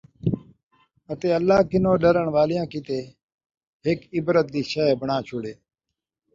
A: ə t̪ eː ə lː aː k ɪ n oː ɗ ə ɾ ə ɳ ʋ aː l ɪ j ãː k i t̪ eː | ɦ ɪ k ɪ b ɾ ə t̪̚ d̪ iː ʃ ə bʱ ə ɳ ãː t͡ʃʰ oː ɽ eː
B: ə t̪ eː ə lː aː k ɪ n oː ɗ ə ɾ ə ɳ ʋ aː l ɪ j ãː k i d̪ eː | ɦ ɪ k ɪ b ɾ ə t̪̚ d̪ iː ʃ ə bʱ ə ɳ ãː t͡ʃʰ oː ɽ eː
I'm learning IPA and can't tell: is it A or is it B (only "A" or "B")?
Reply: A